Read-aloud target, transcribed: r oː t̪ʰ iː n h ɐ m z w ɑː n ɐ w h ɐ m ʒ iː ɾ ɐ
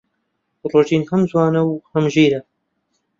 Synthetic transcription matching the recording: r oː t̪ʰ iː n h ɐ m z w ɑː n ɐ w h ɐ m ʒ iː ɾ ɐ

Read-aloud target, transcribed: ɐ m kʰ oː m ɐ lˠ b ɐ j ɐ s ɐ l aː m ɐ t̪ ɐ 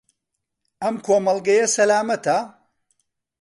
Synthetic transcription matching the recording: ɐ m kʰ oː m ɐ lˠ ɡ ɐ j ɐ s ɐ l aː m ɐ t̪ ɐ

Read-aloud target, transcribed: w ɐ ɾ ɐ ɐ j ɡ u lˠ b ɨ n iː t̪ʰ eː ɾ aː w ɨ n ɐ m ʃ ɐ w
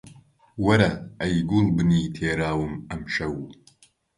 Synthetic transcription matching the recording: w ɐ ɾ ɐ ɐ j ɡ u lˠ b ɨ n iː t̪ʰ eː ɾ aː w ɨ m ɐ m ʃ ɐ w

